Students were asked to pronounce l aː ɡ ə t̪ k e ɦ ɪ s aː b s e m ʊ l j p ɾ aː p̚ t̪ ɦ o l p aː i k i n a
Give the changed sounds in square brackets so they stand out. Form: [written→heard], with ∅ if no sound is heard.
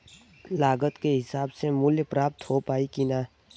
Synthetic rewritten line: l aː ɡ ə t̪ k e ɦ ɪ s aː b s e m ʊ l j p ɾ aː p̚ t̪ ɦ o [l→∅] p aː i k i n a